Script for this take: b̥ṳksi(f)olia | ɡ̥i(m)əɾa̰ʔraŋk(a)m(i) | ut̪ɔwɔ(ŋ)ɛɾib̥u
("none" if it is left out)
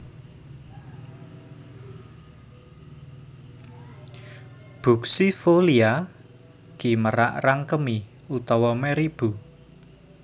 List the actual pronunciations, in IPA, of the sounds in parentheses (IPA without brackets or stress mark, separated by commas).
f, m, ə, i, m